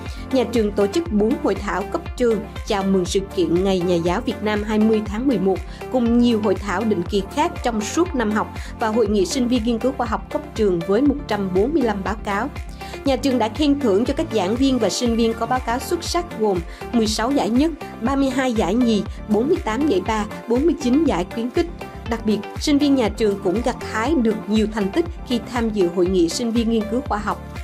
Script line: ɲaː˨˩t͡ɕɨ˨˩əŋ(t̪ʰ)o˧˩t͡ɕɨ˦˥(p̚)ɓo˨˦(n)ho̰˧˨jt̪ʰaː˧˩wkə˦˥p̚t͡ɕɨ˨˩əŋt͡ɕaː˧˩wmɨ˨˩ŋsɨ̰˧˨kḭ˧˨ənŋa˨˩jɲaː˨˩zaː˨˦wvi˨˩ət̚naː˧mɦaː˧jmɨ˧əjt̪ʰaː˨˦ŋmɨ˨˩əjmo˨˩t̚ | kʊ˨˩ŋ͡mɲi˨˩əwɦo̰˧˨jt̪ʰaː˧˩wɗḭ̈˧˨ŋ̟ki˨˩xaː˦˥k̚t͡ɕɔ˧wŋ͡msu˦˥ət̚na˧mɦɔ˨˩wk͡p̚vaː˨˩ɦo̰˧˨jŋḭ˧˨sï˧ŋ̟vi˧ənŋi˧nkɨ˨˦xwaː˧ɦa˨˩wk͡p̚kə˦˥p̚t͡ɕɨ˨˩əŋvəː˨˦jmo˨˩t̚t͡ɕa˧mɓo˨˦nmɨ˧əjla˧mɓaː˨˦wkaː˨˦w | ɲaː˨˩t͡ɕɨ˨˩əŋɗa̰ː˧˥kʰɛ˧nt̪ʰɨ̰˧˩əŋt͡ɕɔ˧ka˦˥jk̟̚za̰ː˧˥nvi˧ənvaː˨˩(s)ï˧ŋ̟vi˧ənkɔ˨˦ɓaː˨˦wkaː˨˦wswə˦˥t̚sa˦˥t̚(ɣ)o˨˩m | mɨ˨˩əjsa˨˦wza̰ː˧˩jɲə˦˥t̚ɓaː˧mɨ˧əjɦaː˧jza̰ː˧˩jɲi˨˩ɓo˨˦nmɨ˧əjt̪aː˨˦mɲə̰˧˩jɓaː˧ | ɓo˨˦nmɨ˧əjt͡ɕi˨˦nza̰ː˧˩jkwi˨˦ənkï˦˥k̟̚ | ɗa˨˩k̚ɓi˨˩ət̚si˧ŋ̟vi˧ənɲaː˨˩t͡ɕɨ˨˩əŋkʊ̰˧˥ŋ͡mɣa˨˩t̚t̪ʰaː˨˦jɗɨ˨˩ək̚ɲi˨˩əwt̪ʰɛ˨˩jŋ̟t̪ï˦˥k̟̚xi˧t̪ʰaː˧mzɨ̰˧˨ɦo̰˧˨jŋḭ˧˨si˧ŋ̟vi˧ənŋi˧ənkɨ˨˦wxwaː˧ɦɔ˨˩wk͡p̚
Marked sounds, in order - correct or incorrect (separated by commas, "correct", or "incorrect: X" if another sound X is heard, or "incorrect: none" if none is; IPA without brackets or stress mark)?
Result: incorrect: t̪, incorrect: k̚, correct, correct, correct